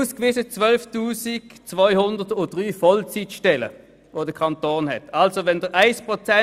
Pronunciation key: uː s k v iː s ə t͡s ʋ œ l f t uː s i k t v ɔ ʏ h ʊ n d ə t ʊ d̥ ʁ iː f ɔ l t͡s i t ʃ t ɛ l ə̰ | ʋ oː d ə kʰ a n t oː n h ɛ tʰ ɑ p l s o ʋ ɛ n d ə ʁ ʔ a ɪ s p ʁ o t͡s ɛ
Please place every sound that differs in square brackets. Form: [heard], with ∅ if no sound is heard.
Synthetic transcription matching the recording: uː s k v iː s ə t͡s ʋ œ l f t uː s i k [t͡s] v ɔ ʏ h ʊ n d ə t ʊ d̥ ʁ [yː] f ɔ l t͡s i t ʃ t ɛ l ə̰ | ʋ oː d ə kʰ [ɑ] n t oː n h ɛ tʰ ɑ [∅] l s o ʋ ɛ n d ə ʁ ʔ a ɪ s p ʁ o t͡s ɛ